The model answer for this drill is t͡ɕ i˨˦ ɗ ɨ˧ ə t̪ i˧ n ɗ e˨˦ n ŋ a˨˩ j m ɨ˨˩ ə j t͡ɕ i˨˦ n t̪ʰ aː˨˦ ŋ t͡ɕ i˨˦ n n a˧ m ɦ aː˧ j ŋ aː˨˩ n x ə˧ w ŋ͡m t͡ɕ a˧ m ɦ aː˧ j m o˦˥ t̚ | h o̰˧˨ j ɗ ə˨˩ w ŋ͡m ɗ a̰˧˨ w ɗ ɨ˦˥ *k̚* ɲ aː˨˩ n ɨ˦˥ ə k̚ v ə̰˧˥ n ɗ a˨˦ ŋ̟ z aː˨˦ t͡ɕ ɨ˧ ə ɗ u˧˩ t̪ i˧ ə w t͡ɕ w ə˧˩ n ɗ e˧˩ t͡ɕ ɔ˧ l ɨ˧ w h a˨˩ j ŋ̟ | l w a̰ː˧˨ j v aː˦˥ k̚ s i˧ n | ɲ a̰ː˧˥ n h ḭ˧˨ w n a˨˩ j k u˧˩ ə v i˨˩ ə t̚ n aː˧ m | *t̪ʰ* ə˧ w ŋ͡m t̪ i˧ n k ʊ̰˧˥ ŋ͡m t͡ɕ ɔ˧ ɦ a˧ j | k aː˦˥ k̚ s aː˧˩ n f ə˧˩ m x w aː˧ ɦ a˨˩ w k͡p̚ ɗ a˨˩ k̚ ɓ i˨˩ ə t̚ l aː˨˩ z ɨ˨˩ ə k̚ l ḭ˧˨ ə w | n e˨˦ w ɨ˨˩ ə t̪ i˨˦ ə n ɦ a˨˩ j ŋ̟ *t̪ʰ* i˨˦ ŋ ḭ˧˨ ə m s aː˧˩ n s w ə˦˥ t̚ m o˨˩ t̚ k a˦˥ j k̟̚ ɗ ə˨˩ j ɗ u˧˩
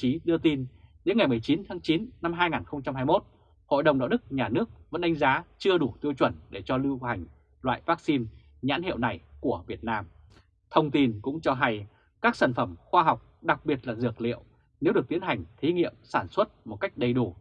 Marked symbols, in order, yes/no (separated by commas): yes, yes, yes